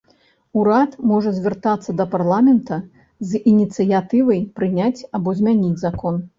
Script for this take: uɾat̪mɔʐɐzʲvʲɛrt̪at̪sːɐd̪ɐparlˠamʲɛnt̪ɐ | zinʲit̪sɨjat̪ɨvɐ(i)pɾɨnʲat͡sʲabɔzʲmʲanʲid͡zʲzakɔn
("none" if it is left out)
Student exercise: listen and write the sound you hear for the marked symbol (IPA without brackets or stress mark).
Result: j